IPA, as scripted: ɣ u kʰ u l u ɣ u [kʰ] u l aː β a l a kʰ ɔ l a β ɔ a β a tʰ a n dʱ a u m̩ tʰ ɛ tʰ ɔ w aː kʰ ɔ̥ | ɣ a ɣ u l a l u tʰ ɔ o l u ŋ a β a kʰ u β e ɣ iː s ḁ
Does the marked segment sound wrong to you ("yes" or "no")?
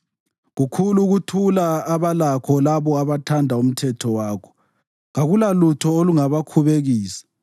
yes